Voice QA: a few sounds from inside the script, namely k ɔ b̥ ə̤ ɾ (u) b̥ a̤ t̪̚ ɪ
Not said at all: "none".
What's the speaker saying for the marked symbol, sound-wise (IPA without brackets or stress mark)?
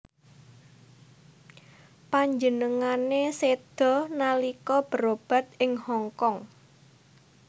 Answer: o